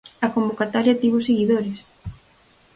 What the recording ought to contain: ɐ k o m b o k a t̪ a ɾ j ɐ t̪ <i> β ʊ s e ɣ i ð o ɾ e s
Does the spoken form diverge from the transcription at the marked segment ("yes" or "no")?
no